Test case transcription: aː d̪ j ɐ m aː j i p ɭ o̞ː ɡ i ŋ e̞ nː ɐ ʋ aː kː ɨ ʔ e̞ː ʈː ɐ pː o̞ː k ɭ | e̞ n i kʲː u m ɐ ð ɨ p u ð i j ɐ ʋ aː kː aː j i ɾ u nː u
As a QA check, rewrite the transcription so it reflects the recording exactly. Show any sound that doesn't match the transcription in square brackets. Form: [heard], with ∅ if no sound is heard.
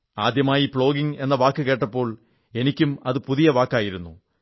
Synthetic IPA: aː d̪ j ɐ m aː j i p ɭ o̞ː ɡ i ŋ e̞ nː ɐ ʋ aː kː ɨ [k] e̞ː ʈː ɐ pː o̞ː [∅] ɭ | e̞ n i kʲː u m ɐ ð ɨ p u ð i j ɐ ʋ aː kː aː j i ɾ u nː u